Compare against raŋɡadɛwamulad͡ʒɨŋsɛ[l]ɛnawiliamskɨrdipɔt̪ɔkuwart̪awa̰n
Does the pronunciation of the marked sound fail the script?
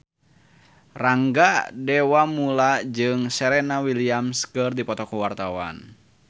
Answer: yes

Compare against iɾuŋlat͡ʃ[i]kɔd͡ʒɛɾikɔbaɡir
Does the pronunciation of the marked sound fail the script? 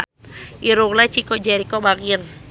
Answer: no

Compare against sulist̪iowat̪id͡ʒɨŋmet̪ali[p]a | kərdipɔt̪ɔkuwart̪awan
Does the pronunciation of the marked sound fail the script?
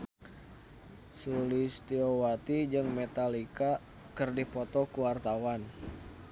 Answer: yes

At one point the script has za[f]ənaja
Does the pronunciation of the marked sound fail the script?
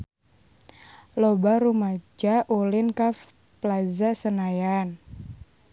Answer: yes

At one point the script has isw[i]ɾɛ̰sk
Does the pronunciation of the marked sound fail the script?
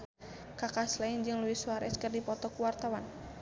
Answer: yes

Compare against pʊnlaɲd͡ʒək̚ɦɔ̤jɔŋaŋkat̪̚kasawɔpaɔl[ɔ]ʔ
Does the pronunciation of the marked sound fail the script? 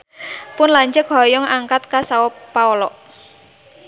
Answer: no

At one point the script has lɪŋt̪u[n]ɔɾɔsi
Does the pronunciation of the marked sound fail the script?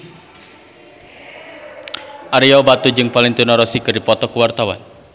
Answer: no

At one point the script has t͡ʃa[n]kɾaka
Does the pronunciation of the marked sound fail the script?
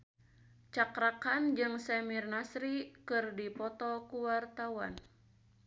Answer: yes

